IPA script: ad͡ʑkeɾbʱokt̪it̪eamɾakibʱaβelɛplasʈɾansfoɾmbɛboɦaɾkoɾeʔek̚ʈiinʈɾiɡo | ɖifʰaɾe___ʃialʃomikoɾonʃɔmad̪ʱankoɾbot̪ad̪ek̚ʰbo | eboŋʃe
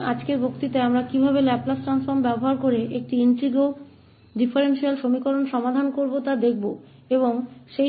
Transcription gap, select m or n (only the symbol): n